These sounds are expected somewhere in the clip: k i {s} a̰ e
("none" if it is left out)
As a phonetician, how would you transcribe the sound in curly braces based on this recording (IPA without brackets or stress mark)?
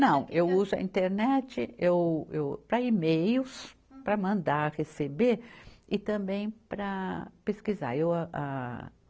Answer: z